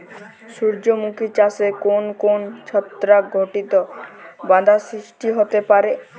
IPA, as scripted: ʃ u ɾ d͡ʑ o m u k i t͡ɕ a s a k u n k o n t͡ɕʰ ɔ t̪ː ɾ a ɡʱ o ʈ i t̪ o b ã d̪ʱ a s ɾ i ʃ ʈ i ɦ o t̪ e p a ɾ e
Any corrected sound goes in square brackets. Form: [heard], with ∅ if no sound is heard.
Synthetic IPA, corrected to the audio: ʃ u ɾ d͡ʑ o m u k i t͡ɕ a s [e] k [o] n k o n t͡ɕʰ ɔ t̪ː ɾ a ɡʱ o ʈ i t̪ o b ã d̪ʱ a s ɾ i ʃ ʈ i ɦ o t̪ e p a ɾ e

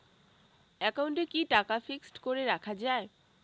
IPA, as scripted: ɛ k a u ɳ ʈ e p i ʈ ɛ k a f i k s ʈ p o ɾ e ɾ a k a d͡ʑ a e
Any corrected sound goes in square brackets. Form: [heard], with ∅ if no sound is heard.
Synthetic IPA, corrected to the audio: ɛ k a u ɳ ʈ e [k] i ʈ [a] k a f i k s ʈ [k] o ɾ e ɾ a [kʰ] a d͡ʑ a e

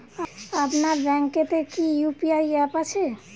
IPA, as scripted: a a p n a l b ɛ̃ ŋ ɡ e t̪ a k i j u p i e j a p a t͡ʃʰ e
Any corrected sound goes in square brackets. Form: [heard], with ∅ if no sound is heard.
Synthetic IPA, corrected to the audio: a a p n a [ɾ] b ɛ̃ ŋ [k] e t̪ [e] k i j u p i [a] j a p a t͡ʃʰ e

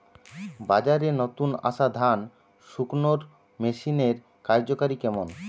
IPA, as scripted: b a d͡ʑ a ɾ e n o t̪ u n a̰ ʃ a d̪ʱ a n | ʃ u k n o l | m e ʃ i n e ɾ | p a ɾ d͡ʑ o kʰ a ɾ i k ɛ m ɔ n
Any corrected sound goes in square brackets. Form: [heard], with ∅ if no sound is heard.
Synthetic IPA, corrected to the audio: b a d͡ʑ a ɾ e n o t̪ u n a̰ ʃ a d̪ʱ a n | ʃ u k n o [ɾ] | m e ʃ i n e ɾ | [k] a ɾ d͡ʑ o [k] a ɾ i k ɛ m [o] n

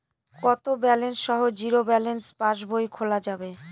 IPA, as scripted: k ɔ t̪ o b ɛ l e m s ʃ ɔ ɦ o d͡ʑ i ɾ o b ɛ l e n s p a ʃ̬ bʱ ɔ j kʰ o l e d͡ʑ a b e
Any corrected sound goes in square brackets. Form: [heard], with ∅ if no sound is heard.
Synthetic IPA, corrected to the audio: k ɔ t̪ o b ɛ l e [n] s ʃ ɔ ɦ o d͡ʑ i ɾ o b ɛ l e n s p a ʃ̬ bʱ [o] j kʰ o l [a] d͡ʑ a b e

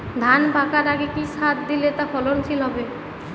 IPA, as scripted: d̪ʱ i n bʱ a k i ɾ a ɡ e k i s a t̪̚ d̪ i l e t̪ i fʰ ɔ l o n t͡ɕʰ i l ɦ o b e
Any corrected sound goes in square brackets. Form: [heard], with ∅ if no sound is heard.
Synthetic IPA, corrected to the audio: d̪ʱ [a] n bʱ a k [a] ɾ a ɡ e k i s a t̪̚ d̪ i l e t̪ [a] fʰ ɔ l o n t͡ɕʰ i l ɦ [ɔ] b e

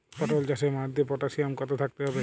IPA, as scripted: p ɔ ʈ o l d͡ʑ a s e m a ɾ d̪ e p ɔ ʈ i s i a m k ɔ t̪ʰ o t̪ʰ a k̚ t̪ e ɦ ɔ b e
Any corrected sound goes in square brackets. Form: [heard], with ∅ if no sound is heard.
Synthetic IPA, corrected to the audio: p ɔ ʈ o l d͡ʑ a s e m a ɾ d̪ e p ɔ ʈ [a] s i a m k ɔ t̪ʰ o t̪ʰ a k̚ t̪ e ɦ ɔ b e

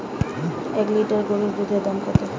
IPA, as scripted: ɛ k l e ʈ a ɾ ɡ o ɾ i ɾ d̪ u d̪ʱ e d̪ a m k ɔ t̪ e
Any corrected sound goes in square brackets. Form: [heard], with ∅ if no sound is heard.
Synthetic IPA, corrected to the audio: ɛ k l [i] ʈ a ɾ ɡ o ɾ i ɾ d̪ u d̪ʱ e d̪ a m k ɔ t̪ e

